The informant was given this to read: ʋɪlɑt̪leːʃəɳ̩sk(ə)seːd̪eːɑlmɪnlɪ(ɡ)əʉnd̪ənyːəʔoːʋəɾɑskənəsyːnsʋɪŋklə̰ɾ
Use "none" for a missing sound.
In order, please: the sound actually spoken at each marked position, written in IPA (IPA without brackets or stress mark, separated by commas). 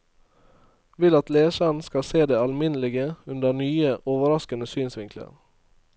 ɑ, ɡ